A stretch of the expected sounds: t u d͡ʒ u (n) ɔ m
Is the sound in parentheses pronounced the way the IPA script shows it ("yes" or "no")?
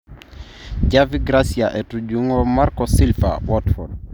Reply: no